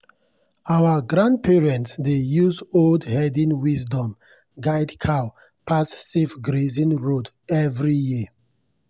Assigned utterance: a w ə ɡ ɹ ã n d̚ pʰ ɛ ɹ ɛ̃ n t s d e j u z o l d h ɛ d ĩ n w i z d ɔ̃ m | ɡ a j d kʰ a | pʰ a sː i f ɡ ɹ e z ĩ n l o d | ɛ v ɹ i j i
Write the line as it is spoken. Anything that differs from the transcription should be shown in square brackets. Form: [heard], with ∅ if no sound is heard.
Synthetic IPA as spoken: a w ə ɡ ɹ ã n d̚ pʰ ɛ ɹ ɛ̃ n t s d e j u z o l d h ɛ d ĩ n w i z d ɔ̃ m | ɡ a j d kʰ a | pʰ a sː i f ɡ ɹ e z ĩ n [ɹ] o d | ɛ v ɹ i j i